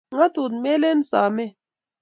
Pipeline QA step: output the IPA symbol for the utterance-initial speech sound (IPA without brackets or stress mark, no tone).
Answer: ŋ